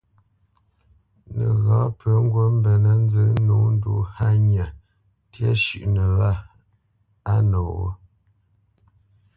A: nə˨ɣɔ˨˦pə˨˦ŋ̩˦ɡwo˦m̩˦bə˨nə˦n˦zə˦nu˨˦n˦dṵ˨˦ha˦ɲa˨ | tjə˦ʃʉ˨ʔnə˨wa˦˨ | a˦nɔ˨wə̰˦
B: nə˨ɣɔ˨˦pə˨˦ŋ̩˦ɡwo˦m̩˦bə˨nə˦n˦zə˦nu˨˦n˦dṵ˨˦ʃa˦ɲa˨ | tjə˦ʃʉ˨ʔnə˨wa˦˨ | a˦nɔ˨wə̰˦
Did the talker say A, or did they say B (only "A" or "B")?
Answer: A